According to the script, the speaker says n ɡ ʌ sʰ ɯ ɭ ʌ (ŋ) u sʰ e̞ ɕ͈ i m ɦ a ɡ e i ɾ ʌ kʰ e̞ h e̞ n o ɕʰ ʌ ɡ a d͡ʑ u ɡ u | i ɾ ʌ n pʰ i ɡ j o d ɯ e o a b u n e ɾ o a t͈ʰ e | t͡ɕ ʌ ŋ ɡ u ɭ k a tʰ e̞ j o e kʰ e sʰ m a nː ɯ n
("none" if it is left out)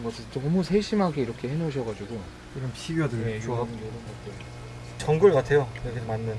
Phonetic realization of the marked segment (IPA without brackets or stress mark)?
m